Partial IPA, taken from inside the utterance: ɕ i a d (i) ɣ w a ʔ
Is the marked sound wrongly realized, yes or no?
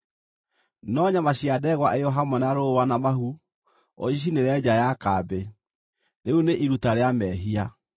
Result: yes